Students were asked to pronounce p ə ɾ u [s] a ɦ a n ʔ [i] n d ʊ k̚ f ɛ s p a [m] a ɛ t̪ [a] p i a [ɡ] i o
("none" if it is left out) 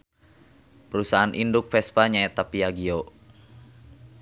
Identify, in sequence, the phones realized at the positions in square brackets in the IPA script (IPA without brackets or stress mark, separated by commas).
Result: s, i, ɲ, a, ɡ